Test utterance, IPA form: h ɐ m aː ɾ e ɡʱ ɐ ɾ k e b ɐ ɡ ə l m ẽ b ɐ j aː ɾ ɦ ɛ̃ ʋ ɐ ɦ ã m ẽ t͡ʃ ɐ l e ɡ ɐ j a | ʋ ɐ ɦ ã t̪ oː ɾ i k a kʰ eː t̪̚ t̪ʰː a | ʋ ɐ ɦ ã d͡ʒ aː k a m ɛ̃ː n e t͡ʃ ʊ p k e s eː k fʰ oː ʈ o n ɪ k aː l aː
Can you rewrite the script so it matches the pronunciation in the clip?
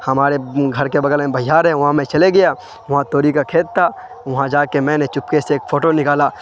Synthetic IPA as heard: h ɐ m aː ɾ e ɡʱ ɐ ɾ k e b ɐ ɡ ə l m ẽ b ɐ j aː ɾ ɦ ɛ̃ ʋ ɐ ɦ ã m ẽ t͡ʃ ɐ l e ɡ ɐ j a | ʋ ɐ ɦ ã t̪ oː ɾ i k a kʰ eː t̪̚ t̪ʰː a | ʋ ɐ ɦ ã d͡ʒ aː k e m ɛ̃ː n e t͡ʃ ʊ p k e s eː k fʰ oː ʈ o n ɪ k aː l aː